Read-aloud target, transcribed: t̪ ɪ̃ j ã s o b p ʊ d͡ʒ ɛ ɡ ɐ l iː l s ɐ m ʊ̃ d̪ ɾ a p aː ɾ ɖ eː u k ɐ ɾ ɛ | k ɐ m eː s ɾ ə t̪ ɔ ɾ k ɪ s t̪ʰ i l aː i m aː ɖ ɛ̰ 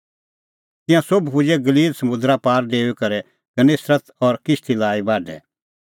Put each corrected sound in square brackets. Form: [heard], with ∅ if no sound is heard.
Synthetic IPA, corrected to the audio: t̪ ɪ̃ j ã s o b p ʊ d͡ʒ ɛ ɡ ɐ l iː l s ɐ m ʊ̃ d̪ ɾ a p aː ɾ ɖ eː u k ɐ ɾ ɛ | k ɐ [n] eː s ɾ ə t̪ ɔ ɾ k ɪ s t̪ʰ i l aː i [b] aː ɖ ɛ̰